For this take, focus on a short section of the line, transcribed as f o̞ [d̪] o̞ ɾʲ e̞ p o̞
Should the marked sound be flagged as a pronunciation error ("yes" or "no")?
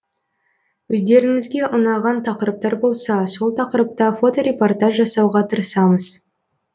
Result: yes